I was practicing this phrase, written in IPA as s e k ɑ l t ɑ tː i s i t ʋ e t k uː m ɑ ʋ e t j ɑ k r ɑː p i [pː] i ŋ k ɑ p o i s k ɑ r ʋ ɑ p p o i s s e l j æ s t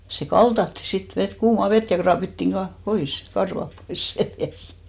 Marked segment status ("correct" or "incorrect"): incorrect